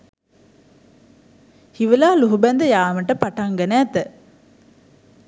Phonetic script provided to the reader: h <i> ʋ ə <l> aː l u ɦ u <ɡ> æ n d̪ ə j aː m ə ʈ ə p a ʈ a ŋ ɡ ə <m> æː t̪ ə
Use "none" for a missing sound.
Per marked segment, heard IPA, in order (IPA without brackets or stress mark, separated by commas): i, l, b, n